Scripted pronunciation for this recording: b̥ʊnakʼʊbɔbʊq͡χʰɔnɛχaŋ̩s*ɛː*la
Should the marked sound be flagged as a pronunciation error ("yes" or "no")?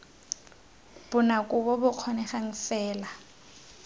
no